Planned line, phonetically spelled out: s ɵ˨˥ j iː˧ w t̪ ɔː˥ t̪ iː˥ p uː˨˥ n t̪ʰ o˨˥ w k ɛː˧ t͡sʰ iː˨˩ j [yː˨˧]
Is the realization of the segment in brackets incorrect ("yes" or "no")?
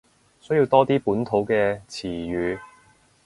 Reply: no